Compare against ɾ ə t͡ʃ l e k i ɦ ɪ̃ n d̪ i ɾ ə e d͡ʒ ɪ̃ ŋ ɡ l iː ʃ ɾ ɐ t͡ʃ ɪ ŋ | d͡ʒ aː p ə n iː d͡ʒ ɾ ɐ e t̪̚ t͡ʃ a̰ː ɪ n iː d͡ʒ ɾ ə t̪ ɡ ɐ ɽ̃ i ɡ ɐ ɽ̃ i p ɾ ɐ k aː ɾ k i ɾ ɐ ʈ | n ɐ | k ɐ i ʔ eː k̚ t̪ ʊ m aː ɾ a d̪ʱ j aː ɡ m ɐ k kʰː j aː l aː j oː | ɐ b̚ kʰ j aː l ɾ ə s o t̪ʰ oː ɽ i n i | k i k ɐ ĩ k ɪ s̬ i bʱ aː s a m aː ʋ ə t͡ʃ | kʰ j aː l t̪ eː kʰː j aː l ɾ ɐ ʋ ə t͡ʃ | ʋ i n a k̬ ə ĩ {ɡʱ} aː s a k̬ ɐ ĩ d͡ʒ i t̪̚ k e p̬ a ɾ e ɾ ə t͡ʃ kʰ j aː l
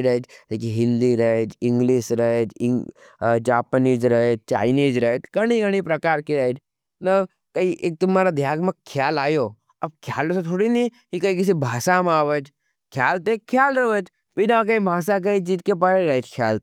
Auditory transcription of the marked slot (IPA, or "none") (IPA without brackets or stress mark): bʱ